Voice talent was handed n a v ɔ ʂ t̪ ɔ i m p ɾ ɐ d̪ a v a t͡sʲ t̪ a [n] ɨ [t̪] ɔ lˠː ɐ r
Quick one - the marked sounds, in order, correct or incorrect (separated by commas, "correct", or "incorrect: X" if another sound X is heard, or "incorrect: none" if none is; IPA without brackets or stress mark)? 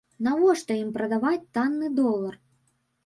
incorrect: nː, incorrect: d̪